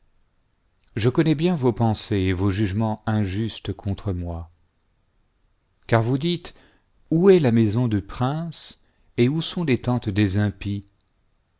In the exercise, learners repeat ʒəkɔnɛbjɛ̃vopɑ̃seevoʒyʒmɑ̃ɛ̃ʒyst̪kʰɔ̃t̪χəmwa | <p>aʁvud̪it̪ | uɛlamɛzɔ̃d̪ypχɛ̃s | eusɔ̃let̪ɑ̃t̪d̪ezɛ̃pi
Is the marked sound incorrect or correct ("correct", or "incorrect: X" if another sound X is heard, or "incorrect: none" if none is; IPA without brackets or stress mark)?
incorrect: k